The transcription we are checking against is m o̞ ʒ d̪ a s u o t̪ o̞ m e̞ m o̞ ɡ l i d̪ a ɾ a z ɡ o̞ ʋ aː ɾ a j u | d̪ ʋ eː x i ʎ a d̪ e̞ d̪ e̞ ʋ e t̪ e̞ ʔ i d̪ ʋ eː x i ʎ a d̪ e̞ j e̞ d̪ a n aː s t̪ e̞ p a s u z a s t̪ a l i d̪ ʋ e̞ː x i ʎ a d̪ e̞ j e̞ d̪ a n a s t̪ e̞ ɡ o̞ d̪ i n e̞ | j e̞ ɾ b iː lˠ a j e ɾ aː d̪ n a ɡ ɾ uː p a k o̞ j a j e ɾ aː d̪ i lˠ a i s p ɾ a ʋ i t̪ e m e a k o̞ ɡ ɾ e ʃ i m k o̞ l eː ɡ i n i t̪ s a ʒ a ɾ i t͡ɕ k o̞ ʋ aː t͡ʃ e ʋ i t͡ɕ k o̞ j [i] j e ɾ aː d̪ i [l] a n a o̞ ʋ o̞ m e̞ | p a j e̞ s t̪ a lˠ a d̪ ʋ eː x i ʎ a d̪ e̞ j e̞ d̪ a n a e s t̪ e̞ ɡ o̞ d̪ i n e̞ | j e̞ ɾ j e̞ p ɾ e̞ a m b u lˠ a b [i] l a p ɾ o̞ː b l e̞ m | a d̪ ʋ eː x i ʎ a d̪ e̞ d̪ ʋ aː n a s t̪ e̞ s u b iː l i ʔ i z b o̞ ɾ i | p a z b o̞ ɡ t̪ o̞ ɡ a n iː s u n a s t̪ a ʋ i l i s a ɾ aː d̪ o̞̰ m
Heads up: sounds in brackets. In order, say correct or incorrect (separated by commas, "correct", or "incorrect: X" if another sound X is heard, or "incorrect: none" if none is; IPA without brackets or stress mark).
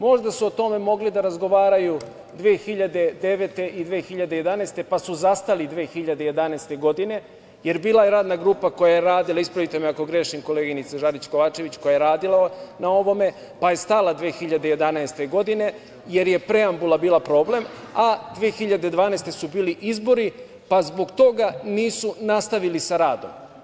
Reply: incorrect: a, correct, incorrect: iː